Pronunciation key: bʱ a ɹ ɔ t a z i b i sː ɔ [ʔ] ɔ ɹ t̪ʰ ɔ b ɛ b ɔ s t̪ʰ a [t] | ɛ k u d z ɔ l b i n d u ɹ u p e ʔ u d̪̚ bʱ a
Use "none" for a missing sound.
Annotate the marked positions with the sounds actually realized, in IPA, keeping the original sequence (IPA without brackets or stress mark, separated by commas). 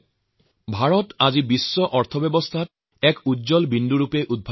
ʔ, t